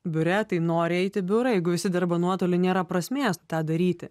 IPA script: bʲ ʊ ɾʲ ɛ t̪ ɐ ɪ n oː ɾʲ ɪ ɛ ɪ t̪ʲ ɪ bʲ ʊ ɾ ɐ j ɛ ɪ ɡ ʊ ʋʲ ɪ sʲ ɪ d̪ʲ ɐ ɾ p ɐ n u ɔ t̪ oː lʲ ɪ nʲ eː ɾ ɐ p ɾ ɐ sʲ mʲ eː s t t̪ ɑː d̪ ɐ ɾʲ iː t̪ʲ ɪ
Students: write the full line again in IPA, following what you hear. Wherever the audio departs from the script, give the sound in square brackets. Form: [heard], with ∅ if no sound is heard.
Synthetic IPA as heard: bʲ ʊ ɾʲ ɛ t̪ ɐ ɪ n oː ɾʲ ɪ ɛ ɪ t̪ʲ ɪ bʲ ʊ ɾ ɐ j ɛ ɪ ɡ ʊ ʋʲ ɪ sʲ ɪ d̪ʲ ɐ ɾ [b] ɐ n u ɔ t̪ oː lʲ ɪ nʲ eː ɾ ɐ p ɾ ɐ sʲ mʲ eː s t t̪ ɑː d̪ ɐ ɾʲ iː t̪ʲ ɪ